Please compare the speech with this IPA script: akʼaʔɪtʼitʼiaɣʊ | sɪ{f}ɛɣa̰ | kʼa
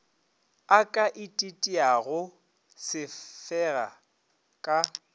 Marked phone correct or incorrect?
correct